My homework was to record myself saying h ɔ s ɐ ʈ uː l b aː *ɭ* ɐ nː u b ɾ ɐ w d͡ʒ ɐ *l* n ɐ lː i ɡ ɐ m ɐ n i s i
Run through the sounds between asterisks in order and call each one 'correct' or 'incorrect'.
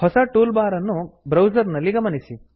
incorrect, incorrect

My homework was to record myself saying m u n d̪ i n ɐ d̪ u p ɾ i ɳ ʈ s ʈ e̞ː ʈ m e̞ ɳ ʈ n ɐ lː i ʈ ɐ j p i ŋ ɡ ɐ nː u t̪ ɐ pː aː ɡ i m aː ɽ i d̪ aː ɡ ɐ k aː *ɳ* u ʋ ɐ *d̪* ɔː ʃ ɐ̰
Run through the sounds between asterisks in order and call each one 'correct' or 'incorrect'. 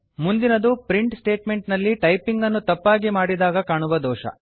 correct, correct

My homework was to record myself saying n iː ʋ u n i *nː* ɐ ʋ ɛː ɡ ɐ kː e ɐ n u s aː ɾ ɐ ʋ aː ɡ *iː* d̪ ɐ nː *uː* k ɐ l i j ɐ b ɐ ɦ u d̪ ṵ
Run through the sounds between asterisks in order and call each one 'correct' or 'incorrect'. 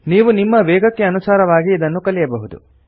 incorrect, correct, incorrect

